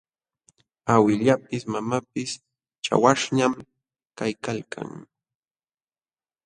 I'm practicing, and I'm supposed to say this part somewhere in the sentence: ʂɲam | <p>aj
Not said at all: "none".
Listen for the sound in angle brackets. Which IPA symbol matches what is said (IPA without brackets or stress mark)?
k